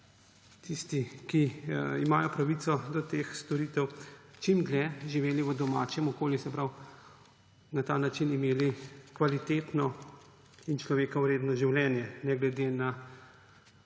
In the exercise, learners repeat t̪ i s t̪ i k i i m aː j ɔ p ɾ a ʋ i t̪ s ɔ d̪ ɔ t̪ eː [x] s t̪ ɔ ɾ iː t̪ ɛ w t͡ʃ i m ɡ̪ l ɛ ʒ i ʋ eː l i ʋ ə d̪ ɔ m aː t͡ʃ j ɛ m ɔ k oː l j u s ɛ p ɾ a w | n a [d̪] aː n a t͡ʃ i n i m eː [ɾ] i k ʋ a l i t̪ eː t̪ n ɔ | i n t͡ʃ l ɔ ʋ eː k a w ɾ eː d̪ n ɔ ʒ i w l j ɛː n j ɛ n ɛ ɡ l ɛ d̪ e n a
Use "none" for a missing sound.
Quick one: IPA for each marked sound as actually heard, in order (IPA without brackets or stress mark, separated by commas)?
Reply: x, t̪, l